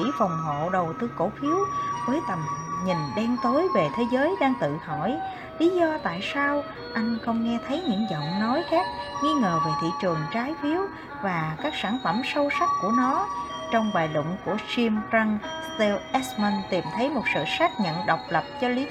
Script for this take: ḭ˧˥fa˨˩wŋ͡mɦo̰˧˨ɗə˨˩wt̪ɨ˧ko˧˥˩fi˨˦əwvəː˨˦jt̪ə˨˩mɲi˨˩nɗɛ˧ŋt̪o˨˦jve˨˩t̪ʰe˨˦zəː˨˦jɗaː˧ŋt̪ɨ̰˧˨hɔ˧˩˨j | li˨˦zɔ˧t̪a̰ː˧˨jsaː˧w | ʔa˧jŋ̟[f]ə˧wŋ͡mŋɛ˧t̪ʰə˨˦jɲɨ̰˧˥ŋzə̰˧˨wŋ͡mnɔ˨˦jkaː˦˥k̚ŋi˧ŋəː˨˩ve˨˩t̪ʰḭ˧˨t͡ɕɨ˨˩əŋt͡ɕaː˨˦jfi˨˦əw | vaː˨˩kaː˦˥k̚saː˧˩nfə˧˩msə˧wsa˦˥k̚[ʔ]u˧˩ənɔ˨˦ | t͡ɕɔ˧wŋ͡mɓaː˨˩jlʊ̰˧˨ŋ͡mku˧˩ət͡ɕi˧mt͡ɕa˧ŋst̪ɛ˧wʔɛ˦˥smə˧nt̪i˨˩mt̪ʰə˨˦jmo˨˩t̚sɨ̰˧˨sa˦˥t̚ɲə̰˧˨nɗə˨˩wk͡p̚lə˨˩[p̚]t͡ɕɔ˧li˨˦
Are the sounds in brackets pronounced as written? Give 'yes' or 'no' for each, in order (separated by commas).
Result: no, no, yes